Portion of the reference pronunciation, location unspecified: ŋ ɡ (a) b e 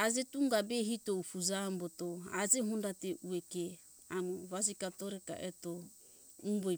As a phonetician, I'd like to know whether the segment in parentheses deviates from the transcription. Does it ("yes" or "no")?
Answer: no